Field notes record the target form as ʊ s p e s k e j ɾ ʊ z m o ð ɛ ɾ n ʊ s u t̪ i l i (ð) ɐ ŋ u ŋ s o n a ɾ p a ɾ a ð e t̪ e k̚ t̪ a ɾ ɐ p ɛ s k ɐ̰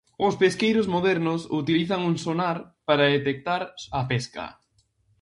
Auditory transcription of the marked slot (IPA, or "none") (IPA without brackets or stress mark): θ